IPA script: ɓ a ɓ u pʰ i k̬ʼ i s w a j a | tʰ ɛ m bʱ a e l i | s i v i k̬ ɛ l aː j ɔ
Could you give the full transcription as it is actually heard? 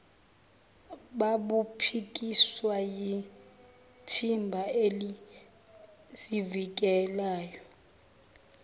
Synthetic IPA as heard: ɓ a ɓ u pʰ i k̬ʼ i s w a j i | tʰ i m bʱ a e l i | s i v i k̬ ɛ l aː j ɔ